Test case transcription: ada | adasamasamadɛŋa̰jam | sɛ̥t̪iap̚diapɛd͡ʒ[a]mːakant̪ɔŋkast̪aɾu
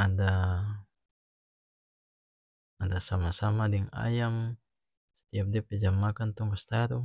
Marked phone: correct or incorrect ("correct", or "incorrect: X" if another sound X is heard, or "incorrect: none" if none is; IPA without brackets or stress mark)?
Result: correct